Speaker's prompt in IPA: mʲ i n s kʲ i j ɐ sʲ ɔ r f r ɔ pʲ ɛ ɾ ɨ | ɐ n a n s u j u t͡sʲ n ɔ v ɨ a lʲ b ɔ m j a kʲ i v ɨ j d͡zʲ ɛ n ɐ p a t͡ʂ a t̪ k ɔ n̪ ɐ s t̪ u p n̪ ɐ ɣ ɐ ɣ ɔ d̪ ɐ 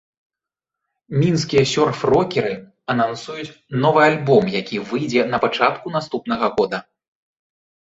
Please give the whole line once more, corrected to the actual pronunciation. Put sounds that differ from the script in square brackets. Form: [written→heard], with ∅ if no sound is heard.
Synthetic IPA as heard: mʲ i n s kʲ i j ɐ sʲ ɔ r f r ɔ [pʲ→kʲ] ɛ ɾ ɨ | ɐ n a n s u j u t͡sʲ n ɔ v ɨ a lʲ b ɔ m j a kʲ i v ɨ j d͡zʲ ɛ n ɐ p a t͡ʂ a t̪ k [ɔ→u] n̪ [ɐ→a] s t̪ u p n̪ ɐ ɣ ɐ ɣ ɔ d̪ ɐ